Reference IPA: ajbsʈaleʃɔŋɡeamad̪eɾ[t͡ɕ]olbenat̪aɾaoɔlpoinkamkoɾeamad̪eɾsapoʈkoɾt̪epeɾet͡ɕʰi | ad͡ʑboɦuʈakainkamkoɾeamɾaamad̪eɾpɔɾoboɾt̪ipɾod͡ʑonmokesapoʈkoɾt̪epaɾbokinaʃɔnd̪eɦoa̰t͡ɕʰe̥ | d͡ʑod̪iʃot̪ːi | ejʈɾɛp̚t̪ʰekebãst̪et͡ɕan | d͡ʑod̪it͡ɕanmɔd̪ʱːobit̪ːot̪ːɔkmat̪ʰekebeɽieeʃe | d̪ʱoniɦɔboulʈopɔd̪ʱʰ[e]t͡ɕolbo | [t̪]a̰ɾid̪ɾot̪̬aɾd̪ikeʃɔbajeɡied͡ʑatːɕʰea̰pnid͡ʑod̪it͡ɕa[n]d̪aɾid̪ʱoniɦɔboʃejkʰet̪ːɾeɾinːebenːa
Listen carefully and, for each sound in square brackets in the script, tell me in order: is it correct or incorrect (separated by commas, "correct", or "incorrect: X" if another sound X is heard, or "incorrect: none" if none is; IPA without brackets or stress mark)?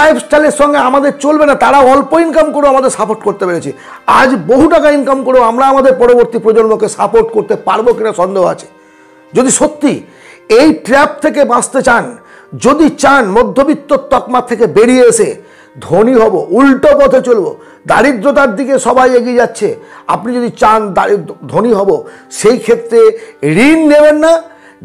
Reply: correct, correct, incorrect: d̪, correct